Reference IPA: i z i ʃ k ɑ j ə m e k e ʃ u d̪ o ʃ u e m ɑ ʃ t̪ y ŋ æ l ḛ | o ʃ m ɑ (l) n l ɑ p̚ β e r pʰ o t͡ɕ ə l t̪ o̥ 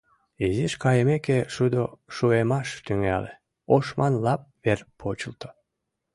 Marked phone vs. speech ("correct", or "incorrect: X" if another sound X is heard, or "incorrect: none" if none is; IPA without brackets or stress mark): incorrect: none